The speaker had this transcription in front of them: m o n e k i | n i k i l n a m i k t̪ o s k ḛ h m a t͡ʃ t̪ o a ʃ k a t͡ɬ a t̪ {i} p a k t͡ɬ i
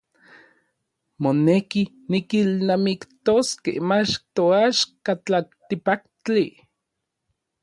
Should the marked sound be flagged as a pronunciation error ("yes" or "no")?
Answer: no